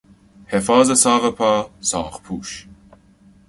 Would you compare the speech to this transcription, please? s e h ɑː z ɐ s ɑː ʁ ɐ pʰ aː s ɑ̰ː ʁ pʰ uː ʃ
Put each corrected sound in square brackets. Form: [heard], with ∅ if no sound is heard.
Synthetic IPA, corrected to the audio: [h] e [f] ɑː z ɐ s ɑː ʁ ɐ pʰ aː s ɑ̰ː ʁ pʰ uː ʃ